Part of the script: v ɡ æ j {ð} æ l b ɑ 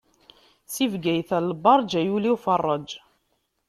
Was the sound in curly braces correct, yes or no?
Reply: no